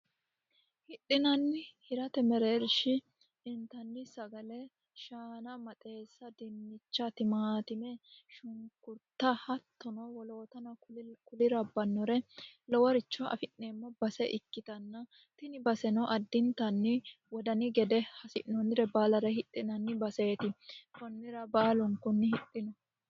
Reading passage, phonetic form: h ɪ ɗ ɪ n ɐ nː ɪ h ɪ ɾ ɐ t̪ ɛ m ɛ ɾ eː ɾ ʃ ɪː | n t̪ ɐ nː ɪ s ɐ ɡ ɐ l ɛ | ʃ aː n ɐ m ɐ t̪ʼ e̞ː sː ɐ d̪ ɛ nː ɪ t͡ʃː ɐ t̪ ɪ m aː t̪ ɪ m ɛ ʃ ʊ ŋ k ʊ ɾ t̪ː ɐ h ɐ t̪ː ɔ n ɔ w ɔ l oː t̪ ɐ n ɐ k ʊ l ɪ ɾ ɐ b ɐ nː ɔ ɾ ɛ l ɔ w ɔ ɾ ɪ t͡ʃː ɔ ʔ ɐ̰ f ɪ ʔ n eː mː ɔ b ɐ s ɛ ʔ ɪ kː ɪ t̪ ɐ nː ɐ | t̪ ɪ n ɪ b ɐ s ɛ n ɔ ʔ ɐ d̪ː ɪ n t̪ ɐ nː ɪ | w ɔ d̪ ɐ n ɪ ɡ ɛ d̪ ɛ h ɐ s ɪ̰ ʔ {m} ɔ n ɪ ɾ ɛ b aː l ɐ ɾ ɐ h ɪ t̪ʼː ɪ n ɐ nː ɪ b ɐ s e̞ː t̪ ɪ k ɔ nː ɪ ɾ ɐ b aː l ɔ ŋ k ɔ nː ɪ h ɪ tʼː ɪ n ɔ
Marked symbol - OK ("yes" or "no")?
no